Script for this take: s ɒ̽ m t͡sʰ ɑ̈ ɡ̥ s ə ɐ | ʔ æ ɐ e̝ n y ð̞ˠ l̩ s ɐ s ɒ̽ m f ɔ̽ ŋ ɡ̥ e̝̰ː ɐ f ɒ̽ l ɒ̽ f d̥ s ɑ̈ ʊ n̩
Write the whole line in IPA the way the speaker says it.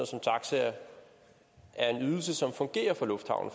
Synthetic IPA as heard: s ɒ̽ m t͡sʰ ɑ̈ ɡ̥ s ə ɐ | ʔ æ ɐ e̝ n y ð̞ˠ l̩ s ə s ɒ̽ m f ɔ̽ ŋ ɡ̥ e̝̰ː ɐ f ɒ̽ l ɔ̽ f d̥ h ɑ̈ ʊ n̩

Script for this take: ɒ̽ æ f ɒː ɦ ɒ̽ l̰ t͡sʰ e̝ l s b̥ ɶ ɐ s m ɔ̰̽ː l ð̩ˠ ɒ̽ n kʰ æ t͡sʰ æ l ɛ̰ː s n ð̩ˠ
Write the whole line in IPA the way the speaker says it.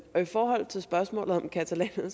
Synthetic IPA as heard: ɒ̽ i f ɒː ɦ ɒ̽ l̰ t͡sʰ e̝ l s b̥ ɶ ɐ s m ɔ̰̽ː l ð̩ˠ ɒ̽ m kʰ æ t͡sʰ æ l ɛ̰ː n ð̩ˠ

